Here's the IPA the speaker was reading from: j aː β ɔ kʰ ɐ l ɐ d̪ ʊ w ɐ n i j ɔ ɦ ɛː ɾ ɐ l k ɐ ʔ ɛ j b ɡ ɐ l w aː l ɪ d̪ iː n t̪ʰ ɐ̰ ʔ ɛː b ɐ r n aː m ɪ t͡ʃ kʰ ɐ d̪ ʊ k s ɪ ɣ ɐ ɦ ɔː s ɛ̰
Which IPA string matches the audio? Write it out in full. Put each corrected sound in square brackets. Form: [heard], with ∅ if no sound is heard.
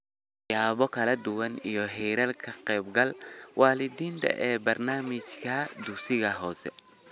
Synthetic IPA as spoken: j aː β ɔ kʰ ɐ l ɐ d̪ ʊ w ɐ n i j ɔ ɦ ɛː ɾ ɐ l [kʰ] ɐ [q] ɛ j b ɡ ɐ l w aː l ɪ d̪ iː n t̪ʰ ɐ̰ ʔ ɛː b ɐ r n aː m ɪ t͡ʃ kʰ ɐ d̪ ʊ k s ɪ ɣ ɐ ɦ ɔː s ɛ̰